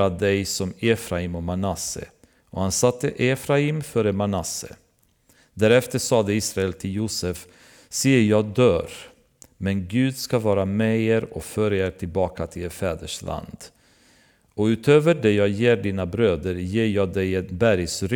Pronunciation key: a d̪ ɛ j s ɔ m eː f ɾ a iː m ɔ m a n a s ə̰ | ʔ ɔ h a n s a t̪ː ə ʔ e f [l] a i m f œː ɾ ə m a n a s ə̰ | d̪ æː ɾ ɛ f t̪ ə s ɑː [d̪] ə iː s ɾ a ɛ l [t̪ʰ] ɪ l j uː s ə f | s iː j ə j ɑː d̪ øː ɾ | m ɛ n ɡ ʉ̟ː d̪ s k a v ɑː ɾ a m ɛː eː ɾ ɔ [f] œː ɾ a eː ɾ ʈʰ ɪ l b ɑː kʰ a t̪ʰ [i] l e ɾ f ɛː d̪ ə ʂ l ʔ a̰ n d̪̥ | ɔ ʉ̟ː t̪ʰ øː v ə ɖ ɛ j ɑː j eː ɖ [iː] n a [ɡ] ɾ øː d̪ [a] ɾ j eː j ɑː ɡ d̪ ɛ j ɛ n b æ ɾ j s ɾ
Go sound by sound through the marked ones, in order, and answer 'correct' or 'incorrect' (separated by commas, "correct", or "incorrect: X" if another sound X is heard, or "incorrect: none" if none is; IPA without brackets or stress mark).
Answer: incorrect: ɾ, correct, correct, correct, incorrect: ɪ, correct, incorrect: b, incorrect: ə